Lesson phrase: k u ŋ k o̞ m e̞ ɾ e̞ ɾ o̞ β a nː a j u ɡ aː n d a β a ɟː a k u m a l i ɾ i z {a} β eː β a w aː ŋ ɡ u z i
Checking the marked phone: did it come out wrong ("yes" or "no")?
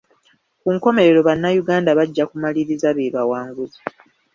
no